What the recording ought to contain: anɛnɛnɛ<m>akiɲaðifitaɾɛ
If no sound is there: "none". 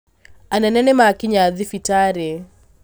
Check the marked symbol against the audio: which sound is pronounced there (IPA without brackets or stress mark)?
m